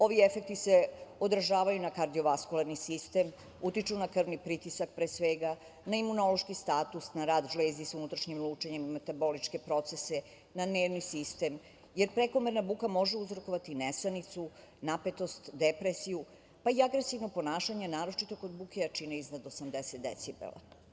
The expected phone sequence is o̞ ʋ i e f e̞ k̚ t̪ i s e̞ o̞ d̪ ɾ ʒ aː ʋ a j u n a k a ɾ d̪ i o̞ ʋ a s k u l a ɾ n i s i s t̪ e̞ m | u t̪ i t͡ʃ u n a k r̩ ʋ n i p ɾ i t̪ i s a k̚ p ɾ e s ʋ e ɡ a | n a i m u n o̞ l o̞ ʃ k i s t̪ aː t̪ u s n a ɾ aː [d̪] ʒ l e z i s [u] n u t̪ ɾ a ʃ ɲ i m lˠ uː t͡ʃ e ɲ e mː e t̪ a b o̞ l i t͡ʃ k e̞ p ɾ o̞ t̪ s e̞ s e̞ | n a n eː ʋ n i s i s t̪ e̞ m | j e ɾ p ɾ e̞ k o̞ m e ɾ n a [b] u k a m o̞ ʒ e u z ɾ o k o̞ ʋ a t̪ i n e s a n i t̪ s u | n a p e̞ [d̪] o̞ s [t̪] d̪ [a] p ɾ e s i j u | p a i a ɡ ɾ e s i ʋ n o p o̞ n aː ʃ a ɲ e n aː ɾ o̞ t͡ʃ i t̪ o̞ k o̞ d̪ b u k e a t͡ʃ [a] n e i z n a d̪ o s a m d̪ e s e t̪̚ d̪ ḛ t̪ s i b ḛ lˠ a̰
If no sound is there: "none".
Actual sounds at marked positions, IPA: d̪, u, b, t̪, t̪, e, i

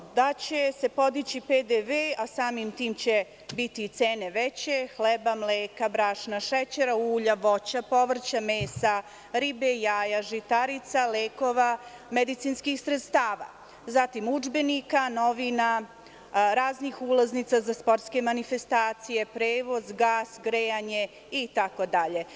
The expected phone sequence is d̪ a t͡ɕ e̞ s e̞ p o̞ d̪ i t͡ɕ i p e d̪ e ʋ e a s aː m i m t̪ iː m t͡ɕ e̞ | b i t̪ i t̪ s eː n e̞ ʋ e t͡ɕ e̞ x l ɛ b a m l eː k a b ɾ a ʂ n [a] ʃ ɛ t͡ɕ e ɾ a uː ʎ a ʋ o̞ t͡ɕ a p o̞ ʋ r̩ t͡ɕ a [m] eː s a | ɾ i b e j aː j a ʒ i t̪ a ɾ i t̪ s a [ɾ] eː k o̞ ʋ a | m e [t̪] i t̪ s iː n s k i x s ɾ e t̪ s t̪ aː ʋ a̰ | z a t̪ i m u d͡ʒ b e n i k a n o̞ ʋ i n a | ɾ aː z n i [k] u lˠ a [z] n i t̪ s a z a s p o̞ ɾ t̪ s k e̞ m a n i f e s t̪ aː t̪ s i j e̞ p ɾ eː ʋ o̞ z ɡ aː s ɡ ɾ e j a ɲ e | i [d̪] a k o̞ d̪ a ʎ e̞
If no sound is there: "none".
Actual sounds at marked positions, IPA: a, m, l, d̪, x, z, t̪

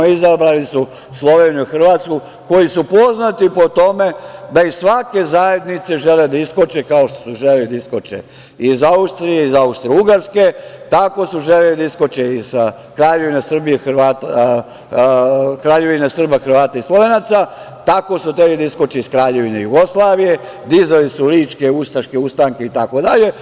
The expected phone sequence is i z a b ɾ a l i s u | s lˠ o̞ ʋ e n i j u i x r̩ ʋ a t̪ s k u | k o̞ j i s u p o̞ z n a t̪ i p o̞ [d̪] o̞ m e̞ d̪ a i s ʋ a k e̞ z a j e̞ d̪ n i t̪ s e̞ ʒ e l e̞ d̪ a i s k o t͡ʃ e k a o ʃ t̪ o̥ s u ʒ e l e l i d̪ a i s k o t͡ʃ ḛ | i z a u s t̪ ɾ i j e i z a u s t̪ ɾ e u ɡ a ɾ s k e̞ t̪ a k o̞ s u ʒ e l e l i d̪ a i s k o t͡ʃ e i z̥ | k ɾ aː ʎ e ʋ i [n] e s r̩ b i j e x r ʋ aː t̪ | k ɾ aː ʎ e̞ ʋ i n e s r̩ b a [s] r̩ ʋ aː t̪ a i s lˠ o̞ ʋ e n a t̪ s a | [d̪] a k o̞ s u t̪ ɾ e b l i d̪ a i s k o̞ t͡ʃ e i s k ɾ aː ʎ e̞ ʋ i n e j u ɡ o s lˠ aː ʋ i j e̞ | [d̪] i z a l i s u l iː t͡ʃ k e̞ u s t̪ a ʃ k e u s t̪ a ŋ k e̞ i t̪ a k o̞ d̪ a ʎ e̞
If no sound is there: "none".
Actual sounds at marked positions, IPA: t̪, n, x, t̪, d̪

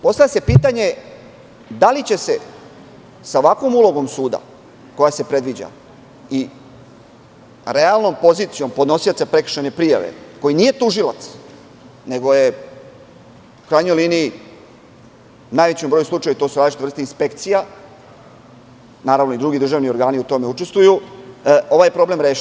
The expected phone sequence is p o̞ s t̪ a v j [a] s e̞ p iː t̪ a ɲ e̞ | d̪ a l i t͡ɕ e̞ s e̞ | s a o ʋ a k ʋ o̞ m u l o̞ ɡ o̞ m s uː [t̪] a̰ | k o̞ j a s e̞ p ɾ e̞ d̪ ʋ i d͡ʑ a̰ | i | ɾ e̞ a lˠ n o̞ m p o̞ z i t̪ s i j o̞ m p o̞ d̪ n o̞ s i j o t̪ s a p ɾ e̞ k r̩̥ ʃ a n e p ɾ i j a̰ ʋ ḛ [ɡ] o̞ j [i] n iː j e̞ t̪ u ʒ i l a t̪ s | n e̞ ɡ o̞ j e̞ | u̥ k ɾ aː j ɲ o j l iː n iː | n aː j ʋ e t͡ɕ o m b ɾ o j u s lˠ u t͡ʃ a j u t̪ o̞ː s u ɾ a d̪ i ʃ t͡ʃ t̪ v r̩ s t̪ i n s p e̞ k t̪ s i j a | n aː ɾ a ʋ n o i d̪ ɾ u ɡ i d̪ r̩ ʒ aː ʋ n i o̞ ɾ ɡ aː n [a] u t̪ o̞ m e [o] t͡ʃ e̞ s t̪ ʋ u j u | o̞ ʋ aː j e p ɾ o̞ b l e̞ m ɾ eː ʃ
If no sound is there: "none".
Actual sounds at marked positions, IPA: a, d̪, k, i, i, u

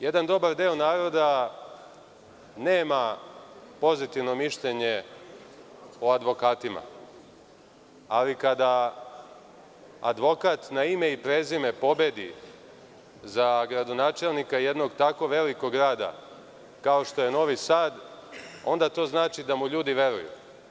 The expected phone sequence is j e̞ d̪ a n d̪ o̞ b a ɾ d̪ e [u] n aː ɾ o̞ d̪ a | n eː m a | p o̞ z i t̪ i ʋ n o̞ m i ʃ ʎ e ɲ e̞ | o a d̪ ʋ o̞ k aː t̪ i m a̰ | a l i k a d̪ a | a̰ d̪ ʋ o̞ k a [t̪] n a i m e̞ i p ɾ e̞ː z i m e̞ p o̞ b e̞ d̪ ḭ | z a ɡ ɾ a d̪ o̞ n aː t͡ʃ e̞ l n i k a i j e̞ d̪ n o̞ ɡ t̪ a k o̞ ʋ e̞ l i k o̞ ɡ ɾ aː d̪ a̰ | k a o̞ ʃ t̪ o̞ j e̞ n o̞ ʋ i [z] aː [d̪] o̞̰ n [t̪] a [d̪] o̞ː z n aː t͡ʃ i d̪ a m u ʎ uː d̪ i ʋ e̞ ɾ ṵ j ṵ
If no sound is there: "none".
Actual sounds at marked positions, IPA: o, t̪, s, d̪, d̪, t̪

